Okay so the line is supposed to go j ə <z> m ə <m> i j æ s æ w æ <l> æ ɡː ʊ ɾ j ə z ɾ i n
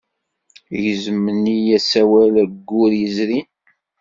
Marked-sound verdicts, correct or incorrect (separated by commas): correct, incorrect, correct